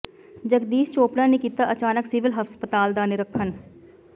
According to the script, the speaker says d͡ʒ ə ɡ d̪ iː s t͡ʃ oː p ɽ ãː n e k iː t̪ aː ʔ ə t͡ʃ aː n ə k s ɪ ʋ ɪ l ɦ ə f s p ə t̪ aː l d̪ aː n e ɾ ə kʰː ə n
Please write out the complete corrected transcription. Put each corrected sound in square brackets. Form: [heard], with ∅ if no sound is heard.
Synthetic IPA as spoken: d͡ʒ ə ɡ d̪ iː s t͡ʃ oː p ɽ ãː n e k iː t̪ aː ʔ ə t͡ʃ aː n ə k s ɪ ʋ ɪ l ɦ ə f s p ə t̪ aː l d̪ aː n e ɾ ə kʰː ə n